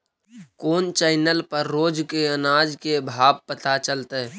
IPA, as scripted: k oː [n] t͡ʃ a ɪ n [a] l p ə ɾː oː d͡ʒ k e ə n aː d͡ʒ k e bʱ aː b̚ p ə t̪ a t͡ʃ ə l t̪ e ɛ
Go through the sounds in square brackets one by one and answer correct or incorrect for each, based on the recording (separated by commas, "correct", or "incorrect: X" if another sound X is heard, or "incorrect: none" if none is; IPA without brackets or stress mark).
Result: correct, incorrect: ə